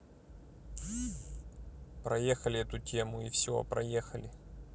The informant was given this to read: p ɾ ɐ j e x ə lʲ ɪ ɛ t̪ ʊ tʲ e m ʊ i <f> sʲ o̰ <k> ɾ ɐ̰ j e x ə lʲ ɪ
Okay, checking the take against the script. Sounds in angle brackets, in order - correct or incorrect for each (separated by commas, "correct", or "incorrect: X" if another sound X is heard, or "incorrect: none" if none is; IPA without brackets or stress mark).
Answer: correct, incorrect: p